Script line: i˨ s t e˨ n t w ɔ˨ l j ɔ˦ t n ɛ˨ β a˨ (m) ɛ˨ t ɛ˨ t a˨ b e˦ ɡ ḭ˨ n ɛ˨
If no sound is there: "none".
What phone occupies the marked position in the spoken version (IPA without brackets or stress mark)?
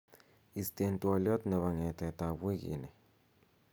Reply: ŋ